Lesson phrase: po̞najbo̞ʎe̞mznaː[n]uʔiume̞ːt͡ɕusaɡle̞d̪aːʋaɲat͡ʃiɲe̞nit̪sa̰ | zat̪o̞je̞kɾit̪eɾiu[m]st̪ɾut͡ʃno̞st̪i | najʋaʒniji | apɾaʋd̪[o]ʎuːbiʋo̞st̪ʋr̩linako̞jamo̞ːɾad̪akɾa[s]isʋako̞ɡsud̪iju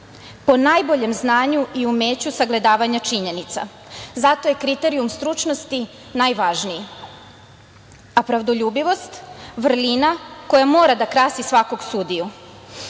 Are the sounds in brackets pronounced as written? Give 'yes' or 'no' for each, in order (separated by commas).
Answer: no, yes, yes, yes